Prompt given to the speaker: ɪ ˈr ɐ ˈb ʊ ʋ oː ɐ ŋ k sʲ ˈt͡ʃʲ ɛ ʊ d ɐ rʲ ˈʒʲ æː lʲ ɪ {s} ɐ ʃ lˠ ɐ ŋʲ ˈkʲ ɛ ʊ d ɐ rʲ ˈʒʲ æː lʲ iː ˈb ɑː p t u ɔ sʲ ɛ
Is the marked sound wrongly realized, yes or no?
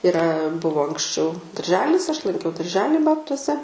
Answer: no